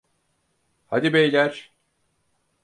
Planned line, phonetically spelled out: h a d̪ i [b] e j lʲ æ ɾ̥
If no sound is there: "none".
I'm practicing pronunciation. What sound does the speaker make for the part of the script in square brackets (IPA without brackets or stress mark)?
b